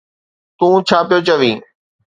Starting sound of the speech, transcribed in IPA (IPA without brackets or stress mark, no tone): t̪